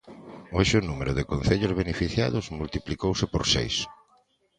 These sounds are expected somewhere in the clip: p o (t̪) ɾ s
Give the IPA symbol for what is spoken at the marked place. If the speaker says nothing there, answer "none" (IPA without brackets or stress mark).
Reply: none